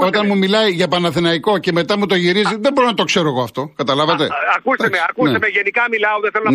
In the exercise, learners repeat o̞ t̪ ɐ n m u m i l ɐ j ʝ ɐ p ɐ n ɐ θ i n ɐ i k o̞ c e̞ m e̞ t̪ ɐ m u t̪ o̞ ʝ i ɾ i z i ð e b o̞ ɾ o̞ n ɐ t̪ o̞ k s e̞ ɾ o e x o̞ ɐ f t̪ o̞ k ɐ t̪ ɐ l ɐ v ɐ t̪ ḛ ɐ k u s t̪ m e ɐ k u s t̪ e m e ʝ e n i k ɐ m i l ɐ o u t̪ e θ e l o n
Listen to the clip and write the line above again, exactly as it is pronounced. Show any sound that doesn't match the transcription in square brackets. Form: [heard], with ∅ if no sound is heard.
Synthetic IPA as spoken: o̞ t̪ ɐ n m u m i l ɐ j ʝ ɐ p ɐ n ɐ θ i n ɐ i k o̞ c e̞ m e̞ t̪ ɐ m u t̪ o̞ ʝ i ɾ i z i ð e b o̞ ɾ o̞ n ɐ t̪ o̞ k s e̞ ɾ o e [ɣ] o̞ ɐ f t̪ o̞ k ɐ t̪ ɐ l ɐ v ɐ t̪ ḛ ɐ k u s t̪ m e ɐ k u s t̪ e m e ʝ e n i k ɐ m i l ɐ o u t̪ e θ e l o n